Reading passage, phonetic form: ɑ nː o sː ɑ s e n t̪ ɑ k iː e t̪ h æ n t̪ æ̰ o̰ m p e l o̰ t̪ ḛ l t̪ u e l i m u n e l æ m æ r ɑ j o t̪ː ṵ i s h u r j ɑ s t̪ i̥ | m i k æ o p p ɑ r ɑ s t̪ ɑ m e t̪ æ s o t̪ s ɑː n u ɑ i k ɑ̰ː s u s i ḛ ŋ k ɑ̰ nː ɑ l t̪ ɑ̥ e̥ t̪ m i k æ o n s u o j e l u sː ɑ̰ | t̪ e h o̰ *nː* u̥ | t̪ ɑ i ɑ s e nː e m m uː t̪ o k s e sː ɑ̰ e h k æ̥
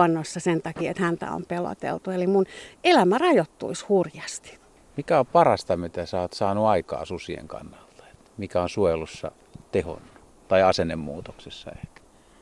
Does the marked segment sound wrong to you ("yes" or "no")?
no